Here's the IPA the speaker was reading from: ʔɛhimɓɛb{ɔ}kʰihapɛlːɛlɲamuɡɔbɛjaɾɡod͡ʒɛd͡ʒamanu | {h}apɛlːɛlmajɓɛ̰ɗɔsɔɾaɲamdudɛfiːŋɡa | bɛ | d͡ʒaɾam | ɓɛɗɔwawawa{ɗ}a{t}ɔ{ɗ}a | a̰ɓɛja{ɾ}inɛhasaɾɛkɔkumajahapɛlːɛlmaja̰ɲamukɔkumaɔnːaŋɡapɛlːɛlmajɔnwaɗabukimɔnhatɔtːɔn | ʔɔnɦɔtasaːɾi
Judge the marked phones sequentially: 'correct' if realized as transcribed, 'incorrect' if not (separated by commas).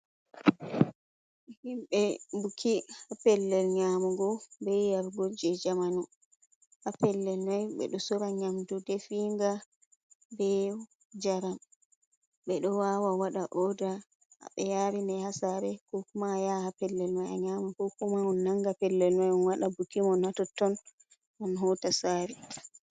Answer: incorrect, correct, correct, incorrect, incorrect, correct